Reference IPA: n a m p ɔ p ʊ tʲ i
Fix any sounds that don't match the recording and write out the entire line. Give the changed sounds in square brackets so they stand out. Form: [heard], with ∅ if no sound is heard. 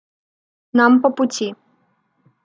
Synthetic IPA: n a m p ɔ p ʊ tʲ i